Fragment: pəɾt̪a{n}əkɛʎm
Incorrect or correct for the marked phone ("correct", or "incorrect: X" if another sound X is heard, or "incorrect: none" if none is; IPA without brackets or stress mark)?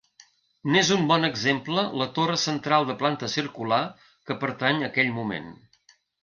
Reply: incorrect: ɲ